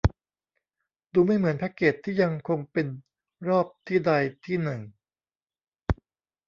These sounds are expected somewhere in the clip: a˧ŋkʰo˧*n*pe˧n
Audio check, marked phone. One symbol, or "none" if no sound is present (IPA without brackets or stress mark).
ŋ